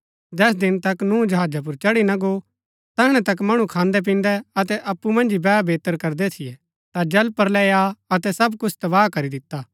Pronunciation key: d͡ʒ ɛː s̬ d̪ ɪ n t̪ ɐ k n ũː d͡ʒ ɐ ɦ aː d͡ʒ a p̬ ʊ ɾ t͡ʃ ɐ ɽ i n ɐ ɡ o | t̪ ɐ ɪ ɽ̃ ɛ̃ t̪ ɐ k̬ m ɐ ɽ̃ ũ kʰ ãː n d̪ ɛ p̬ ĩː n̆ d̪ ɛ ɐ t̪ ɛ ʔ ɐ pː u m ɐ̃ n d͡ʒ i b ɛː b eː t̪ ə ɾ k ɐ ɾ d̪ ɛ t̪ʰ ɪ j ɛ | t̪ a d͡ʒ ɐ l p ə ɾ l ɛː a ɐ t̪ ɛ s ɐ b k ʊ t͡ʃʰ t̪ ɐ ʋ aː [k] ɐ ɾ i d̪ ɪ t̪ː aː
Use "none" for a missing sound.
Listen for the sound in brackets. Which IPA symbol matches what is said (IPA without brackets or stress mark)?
k